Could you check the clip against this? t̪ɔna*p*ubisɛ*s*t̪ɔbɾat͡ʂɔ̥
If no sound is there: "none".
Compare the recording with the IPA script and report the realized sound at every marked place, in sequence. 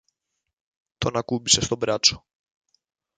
k, s

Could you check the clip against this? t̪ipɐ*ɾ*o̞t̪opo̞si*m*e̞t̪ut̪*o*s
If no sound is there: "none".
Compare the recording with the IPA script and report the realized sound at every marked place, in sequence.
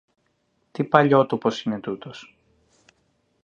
ʎ, n, o

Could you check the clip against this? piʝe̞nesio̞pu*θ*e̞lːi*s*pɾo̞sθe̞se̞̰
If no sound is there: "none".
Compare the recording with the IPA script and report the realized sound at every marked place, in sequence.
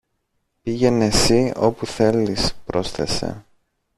θ, s

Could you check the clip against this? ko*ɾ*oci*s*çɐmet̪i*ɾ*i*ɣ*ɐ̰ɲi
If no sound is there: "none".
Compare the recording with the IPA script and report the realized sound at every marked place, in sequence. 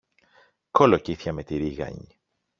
l, θ, ɾ, ɣ

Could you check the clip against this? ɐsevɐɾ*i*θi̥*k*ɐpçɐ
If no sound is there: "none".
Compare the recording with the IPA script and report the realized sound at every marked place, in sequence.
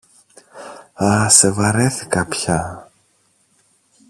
e, k

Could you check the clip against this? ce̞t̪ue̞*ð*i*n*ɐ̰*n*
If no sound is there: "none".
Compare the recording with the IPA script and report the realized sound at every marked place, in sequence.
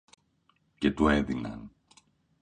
ð, n, n

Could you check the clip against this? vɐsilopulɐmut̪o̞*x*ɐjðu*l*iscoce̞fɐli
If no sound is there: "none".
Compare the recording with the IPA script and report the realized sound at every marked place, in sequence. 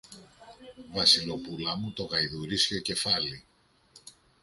ɣ, ɾ

